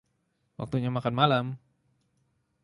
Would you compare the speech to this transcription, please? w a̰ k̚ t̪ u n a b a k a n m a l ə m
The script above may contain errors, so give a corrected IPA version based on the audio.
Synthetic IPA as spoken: w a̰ k̚ t̪ u ɲ a m a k a n m a l a m